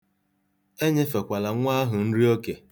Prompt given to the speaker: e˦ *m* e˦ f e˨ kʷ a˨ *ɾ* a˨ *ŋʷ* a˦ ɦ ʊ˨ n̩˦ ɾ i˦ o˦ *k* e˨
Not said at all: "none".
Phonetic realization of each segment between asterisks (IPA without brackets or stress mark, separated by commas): ɲ, l, ŋʷ, k